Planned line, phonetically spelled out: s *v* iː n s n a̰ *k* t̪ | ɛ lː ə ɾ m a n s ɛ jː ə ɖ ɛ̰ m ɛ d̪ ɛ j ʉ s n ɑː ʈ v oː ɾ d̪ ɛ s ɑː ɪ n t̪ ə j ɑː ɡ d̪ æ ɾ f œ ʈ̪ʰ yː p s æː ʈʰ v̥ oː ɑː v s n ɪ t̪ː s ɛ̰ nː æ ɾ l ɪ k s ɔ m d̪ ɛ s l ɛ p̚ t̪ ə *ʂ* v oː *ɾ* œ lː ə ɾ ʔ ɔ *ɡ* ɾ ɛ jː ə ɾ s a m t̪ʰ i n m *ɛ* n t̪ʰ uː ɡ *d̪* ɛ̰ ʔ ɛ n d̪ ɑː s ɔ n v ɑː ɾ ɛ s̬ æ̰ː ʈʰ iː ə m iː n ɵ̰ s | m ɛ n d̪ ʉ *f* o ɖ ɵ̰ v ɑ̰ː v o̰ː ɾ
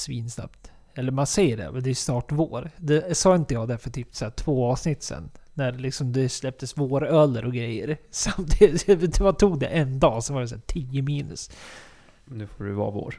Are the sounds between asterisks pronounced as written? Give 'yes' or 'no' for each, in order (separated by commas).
yes, no, no, yes, yes, no, yes, yes